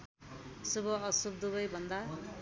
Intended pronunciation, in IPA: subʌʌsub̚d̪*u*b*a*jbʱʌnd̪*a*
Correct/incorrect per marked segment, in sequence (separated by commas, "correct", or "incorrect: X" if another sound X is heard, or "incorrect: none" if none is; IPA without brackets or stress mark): correct, incorrect: ʌ, correct